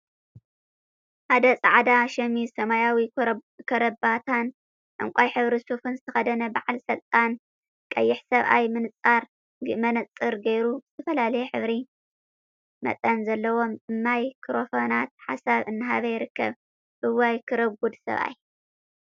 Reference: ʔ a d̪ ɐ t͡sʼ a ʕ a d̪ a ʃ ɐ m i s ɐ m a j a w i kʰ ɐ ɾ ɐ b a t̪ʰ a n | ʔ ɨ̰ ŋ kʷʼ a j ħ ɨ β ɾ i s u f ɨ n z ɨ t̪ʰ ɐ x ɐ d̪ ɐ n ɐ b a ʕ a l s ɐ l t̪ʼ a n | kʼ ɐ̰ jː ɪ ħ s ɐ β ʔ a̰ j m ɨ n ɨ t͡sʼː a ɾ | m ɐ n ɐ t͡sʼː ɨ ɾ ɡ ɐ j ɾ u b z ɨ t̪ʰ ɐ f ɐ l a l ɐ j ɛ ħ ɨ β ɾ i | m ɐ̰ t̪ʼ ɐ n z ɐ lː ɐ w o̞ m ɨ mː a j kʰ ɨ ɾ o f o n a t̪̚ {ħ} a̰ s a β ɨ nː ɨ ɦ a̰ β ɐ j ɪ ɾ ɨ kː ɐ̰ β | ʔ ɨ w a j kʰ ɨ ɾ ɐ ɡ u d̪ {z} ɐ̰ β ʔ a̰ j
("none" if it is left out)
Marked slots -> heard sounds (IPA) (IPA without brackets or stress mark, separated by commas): ħ, s